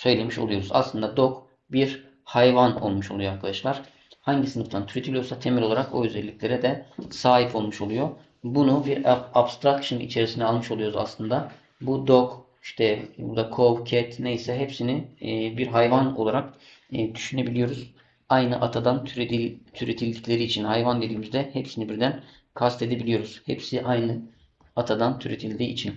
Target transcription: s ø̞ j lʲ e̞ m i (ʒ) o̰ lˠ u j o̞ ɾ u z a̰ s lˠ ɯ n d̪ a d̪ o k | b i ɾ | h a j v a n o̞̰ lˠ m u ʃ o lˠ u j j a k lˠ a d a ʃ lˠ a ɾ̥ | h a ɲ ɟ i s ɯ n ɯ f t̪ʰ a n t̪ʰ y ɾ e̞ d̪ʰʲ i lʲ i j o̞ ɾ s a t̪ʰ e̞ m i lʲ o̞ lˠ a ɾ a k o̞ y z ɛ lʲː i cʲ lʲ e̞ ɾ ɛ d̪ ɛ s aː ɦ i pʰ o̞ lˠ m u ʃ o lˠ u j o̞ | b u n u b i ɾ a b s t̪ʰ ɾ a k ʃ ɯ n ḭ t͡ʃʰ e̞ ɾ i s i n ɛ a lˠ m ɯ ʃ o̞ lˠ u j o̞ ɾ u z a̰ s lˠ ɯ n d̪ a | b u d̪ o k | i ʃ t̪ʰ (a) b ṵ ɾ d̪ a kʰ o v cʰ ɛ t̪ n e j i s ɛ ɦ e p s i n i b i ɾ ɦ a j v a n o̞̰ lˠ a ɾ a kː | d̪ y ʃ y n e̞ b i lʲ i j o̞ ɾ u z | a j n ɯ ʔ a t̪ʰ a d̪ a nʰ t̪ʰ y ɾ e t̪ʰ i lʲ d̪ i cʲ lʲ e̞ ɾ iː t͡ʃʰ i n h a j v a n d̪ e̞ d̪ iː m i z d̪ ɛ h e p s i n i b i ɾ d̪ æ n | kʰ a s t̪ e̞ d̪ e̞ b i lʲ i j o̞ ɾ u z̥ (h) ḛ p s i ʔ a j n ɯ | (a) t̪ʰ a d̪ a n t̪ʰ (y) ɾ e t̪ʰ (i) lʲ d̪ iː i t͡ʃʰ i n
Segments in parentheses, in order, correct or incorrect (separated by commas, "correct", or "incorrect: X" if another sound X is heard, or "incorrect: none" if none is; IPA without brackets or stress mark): incorrect: ʃ, incorrect: ɛ, correct, correct, correct, correct